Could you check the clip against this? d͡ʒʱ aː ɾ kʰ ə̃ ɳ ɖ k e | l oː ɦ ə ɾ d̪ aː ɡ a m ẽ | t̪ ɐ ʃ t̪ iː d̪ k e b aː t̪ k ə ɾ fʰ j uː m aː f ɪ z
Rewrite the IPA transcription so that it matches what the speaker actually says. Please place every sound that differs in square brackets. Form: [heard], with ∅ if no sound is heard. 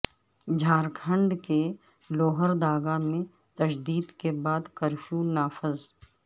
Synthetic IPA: d͡ʒʱ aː ɾ kʰ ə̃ ɳ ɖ k e | l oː ɦ ə ɾ d̪ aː ɡ a m ẽ | t̪ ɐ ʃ [d̪] iː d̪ k e b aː [d̪] k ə ɾ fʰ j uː [n] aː f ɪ z